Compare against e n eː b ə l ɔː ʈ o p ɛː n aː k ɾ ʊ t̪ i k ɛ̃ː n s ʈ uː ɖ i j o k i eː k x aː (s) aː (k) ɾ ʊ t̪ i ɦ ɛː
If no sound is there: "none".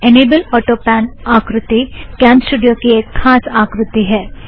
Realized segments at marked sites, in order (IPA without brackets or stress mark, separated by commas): s, k